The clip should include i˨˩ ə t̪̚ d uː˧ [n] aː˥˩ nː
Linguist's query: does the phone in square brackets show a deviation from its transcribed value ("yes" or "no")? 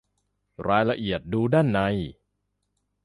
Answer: yes